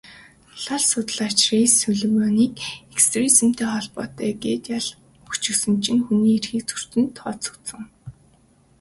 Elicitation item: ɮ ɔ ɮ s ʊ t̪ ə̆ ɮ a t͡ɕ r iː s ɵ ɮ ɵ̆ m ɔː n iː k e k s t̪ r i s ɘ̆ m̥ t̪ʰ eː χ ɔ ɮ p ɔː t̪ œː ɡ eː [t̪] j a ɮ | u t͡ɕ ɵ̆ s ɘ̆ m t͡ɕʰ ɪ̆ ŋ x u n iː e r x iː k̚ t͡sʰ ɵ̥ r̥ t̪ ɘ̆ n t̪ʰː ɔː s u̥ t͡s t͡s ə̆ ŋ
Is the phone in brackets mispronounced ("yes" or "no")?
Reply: no